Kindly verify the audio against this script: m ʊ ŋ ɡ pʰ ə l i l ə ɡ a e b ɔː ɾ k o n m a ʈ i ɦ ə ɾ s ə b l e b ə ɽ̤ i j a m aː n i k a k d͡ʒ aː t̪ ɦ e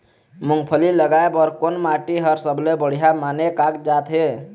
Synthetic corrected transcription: m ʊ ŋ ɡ pʰ ə l i l ə ɡ a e b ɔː ɾ k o n m a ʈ i ɦ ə ɾ s ə b l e b ə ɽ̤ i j a m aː n e k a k d͡ʒ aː t̪ ɦ e